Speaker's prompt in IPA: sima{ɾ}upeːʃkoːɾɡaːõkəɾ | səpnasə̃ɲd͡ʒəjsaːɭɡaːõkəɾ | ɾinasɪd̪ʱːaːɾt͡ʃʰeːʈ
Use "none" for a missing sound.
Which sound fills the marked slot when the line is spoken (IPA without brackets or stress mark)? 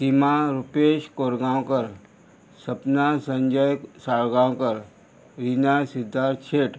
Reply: ɾ